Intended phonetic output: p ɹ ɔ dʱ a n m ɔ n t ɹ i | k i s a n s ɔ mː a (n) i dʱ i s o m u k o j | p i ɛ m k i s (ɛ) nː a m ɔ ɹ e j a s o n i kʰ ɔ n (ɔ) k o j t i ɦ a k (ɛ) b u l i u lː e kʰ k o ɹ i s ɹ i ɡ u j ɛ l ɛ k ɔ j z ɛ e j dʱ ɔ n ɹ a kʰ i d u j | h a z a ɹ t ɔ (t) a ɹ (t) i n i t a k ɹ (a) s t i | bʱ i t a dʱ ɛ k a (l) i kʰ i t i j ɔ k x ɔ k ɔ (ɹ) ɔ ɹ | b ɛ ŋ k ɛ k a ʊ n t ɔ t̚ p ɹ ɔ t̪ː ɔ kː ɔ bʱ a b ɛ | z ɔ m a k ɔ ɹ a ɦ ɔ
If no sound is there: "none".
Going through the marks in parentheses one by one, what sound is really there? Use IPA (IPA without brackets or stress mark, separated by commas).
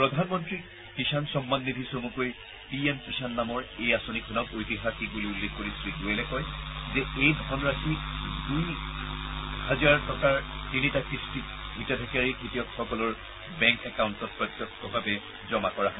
nː, a, ɔ, i, k, t, i, ɹ, l